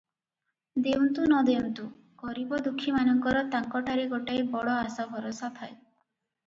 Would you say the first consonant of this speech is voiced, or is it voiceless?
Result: voiced